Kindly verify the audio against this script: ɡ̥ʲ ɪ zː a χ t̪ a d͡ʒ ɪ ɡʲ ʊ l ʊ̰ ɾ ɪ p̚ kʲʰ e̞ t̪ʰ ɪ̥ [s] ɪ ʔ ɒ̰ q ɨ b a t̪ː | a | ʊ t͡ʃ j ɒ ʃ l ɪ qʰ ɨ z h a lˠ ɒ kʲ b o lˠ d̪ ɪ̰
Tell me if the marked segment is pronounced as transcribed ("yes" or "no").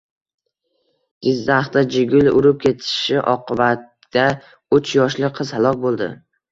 no